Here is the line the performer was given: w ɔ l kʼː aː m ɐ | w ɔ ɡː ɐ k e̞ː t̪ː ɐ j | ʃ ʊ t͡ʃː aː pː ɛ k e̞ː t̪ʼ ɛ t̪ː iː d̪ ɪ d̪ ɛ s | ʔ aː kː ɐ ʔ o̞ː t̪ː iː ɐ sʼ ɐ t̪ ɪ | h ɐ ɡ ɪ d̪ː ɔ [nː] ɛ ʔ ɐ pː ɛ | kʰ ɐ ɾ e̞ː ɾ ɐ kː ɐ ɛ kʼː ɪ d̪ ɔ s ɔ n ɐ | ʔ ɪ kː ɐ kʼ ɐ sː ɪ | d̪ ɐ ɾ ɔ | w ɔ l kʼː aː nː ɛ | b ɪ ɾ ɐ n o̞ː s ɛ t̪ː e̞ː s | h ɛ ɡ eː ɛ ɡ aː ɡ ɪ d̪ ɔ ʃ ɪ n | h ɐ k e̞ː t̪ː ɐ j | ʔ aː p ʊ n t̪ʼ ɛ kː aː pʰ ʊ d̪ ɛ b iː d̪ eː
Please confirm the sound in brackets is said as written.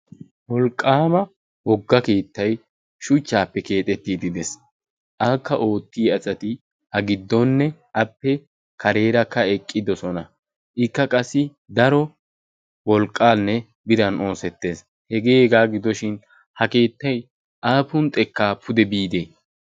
yes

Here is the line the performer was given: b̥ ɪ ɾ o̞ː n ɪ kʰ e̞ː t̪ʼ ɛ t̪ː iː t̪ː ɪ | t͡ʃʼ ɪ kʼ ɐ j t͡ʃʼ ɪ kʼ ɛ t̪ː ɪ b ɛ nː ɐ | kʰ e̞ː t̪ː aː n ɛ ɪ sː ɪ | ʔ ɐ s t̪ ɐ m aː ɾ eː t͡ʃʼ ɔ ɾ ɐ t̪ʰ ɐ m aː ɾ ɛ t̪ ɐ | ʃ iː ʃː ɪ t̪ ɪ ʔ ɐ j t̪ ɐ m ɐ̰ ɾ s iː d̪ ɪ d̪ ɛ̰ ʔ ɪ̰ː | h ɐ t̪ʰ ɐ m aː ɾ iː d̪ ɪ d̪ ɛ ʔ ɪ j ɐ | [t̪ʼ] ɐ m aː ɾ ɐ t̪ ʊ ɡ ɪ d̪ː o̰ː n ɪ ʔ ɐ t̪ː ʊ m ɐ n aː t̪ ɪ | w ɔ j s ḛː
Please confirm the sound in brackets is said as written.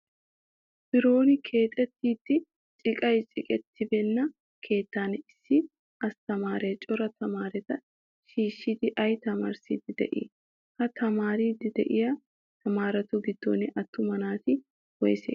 no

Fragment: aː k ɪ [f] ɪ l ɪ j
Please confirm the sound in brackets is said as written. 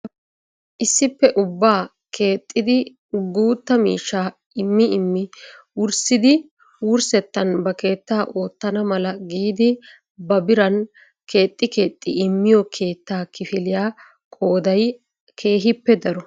yes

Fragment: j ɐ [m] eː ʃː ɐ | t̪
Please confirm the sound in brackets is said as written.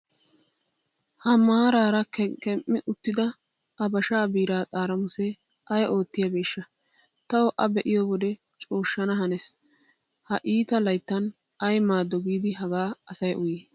no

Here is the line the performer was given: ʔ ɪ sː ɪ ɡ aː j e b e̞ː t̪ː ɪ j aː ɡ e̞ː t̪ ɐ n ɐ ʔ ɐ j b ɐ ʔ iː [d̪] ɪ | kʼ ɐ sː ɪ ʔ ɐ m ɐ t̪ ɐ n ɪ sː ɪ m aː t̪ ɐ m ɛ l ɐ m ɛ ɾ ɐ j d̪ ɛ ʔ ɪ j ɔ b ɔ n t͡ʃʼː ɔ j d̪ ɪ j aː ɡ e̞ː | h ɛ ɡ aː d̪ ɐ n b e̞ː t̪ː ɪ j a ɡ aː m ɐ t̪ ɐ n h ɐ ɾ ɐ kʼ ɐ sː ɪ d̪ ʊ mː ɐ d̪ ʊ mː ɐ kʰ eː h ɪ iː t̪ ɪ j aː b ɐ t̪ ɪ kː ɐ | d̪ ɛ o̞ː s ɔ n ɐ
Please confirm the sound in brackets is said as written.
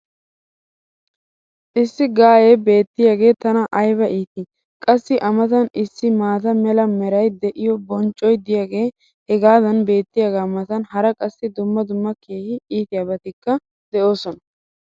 no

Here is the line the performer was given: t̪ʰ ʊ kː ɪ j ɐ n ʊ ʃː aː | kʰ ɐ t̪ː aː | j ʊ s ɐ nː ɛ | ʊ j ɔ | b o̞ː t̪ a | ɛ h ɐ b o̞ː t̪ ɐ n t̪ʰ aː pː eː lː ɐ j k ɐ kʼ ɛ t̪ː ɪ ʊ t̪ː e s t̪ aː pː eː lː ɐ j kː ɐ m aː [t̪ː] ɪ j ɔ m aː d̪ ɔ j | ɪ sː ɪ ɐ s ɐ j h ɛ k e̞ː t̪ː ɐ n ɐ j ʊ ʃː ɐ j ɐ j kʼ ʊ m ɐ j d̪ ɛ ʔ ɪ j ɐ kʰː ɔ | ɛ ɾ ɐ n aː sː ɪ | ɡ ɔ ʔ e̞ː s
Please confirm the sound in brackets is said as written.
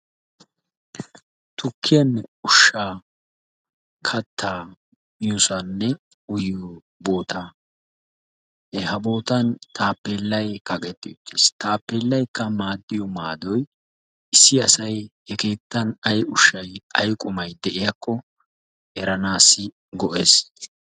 no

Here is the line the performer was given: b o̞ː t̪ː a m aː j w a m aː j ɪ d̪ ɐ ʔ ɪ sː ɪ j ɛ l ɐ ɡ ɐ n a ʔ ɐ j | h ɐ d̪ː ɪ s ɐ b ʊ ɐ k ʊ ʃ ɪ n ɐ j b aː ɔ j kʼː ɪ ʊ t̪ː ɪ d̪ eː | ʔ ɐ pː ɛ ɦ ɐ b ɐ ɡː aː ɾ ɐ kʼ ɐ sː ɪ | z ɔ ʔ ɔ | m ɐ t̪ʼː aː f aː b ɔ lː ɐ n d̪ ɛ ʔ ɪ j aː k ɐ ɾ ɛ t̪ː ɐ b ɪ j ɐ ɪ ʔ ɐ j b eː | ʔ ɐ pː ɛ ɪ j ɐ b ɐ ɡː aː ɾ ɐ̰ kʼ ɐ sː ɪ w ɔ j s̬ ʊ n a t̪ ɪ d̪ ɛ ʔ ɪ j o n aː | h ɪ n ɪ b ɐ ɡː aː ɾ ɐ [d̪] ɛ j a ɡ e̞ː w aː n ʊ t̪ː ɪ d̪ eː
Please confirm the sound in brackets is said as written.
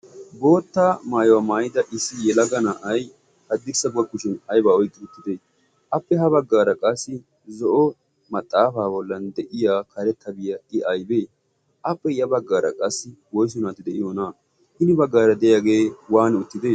yes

